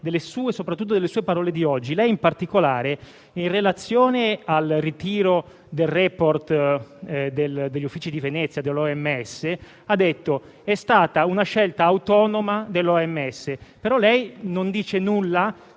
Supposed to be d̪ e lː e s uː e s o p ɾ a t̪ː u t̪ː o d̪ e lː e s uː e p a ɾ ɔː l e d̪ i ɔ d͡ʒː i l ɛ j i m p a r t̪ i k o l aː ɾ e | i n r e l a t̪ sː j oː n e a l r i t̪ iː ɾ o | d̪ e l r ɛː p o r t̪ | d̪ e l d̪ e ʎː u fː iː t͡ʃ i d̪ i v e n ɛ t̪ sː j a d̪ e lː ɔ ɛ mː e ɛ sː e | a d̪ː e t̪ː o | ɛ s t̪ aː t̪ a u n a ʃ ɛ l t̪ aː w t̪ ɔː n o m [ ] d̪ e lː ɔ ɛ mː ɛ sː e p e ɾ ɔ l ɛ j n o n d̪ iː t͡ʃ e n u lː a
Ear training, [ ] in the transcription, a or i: a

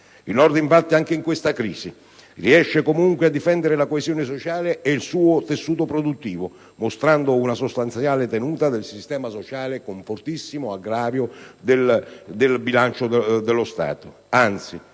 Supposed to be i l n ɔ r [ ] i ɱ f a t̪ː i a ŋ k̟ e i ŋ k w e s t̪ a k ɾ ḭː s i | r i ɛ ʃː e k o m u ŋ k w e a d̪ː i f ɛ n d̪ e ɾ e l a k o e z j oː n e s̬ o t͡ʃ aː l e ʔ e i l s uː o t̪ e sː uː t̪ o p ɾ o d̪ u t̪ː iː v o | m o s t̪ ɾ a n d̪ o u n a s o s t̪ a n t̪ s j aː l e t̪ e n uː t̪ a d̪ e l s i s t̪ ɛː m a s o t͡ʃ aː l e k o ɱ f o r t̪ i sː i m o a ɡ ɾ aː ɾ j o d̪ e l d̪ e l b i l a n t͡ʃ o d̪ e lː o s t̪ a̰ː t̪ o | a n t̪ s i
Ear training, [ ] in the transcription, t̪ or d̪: d̪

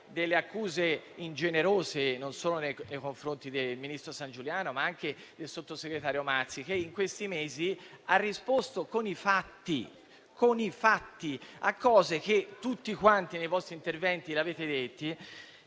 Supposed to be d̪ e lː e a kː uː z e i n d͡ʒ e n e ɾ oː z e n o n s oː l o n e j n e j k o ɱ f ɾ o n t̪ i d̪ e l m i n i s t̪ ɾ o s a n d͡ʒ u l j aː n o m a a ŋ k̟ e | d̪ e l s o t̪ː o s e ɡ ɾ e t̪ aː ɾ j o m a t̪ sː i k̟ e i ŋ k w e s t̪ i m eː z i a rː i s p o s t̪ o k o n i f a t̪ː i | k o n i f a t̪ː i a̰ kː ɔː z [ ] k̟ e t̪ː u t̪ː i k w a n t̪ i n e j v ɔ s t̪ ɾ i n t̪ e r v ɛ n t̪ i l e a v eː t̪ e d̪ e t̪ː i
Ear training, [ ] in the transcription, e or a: e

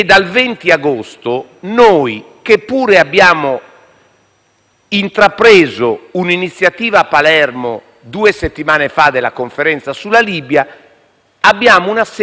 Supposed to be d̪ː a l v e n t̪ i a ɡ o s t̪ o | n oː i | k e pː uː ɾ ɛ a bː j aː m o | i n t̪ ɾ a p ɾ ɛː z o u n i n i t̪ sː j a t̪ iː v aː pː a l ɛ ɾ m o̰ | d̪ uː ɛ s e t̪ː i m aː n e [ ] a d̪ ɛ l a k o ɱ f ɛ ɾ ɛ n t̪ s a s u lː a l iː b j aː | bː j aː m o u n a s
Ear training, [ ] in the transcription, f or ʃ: f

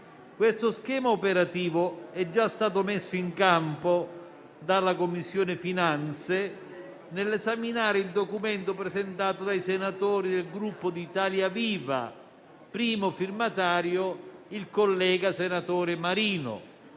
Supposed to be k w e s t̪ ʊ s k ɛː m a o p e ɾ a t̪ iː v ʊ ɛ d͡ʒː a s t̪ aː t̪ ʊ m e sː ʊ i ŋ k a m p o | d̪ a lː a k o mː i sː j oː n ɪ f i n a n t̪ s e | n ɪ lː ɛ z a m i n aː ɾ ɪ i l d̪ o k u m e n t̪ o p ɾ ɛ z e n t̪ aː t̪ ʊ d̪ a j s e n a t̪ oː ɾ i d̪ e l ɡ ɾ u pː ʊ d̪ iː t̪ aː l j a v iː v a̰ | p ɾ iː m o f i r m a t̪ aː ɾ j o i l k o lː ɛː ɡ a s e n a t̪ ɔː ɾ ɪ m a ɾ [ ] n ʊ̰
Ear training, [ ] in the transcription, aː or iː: iː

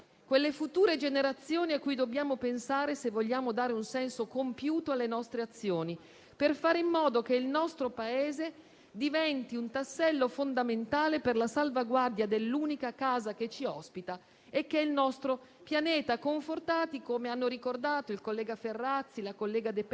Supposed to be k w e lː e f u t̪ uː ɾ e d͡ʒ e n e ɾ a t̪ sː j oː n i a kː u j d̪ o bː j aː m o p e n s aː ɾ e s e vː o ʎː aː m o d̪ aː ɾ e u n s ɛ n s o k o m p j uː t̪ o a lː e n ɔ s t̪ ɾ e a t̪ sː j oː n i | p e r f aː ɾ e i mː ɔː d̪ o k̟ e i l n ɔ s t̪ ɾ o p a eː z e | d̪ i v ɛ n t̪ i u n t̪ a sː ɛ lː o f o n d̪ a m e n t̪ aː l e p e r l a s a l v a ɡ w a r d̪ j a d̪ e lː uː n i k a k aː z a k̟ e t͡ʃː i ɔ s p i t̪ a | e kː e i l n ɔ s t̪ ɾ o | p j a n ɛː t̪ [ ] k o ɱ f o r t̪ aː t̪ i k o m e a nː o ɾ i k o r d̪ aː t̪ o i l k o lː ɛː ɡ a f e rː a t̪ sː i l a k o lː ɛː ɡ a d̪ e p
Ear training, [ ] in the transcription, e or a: a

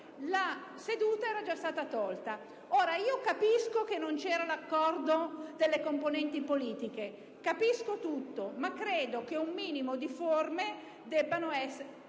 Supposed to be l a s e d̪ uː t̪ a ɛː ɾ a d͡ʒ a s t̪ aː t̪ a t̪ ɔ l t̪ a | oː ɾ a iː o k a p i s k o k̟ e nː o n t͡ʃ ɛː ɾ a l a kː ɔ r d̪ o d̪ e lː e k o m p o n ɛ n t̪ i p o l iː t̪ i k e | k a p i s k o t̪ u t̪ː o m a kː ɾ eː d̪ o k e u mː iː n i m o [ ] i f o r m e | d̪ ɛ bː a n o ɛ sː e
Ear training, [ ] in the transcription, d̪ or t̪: d̪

